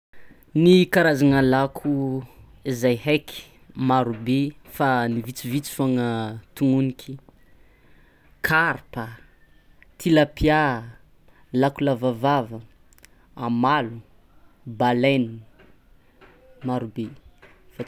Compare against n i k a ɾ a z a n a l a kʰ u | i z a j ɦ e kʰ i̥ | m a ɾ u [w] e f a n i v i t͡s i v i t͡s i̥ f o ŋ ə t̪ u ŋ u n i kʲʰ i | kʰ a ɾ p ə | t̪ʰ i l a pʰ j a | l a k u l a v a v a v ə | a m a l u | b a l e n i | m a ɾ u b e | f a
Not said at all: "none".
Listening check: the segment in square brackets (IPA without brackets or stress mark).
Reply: b